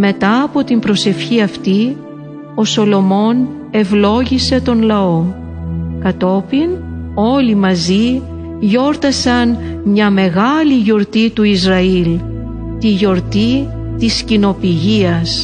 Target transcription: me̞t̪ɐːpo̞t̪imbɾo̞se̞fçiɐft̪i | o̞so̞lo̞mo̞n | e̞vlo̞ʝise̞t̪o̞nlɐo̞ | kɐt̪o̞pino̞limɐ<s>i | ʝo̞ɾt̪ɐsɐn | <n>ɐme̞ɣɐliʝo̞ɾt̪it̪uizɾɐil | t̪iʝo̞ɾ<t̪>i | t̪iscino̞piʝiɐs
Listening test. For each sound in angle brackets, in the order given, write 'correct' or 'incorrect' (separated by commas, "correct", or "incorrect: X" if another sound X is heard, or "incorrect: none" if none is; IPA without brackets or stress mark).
incorrect: z, incorrect: ɲ, correct